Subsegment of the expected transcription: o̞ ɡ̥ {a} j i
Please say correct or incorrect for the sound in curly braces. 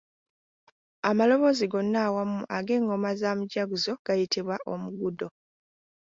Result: correct